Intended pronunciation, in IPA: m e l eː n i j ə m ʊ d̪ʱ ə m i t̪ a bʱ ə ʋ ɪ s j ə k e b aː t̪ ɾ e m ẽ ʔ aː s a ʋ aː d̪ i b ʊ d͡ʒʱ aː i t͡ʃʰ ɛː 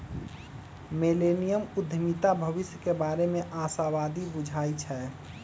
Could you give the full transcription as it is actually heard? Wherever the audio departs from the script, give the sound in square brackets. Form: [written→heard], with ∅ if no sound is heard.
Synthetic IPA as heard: m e l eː n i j ə m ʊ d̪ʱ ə m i t̪ a bʱ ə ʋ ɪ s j ə k e b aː [t̪→∅] ɾ e m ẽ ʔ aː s a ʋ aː d̪ i b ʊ d͡ʒʱ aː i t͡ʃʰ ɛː